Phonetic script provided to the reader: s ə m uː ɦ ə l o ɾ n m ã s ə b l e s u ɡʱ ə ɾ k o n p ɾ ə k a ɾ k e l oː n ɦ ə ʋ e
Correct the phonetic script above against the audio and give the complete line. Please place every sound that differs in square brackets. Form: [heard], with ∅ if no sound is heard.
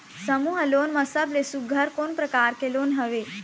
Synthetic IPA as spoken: s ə m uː ɦ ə l o [∅] n m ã s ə b l e s u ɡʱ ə ɾ k o n p ɾ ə k a ɾ k e l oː n ɦ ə ʋ e